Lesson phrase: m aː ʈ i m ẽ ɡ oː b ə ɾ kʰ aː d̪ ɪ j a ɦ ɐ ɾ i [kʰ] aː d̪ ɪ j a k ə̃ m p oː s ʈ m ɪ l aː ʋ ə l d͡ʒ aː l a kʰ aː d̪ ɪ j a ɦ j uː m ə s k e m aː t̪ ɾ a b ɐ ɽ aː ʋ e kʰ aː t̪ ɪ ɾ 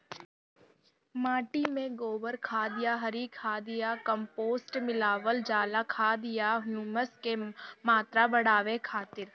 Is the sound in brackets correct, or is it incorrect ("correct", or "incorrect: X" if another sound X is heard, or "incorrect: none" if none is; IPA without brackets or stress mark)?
correct